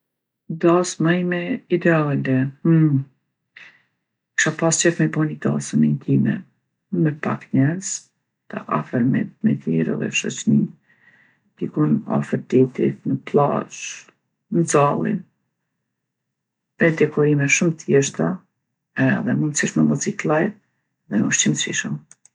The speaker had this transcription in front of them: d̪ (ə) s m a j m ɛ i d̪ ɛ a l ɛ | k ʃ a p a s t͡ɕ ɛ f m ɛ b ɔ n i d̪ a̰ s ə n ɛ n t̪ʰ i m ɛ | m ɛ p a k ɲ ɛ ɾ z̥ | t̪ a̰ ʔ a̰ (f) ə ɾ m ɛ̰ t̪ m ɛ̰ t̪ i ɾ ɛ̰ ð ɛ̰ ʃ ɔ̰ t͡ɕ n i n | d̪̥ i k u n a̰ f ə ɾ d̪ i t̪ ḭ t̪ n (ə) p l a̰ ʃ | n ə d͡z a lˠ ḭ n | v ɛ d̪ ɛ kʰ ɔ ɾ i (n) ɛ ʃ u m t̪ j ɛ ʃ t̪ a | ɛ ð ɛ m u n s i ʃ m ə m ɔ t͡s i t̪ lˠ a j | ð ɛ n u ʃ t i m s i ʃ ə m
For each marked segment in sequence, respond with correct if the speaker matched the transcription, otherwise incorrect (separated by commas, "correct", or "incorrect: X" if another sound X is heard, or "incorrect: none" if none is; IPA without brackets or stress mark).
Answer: incorrect: a, correct, correct, incorrect: m